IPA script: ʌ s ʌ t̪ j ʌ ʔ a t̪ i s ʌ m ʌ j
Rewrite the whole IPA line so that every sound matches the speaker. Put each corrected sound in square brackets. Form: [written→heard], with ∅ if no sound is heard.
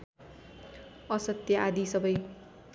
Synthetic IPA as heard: ʌ s ʌ t̪ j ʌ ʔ a [t̪→d̪] i s ʌ [m→b] ʌ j